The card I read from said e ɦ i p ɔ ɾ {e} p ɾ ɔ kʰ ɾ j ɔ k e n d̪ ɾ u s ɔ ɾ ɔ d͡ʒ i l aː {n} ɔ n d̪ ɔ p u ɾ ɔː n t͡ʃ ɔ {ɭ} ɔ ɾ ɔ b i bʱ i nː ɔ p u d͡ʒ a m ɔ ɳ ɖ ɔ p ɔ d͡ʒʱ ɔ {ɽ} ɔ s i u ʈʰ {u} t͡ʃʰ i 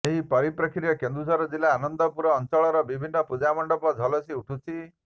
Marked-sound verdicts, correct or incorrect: incorrect, correct, correct, incorrect, correct

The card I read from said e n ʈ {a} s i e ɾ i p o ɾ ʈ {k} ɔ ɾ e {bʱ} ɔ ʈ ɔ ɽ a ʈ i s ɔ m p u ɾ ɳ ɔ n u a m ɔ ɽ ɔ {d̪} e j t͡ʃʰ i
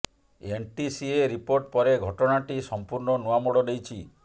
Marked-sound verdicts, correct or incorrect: incorrect, incorrect, incorrect, correct

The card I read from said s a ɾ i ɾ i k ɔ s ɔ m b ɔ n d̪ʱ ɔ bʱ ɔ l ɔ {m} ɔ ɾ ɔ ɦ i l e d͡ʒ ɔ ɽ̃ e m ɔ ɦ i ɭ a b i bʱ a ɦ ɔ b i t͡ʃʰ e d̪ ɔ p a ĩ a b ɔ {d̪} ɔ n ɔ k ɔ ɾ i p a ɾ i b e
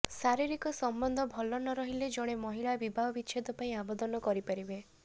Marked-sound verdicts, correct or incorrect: incorrect, correct

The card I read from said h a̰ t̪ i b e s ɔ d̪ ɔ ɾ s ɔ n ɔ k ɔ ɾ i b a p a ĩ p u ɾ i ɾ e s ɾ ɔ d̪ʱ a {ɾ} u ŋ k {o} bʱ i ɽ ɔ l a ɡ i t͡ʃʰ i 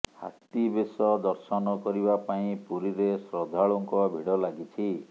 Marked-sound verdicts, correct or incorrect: incorrect, incorrect

